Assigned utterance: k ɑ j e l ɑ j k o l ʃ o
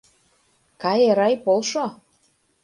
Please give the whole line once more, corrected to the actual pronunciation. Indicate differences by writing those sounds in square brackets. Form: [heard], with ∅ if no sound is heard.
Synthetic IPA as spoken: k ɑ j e [ɾ] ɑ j [p] o l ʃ o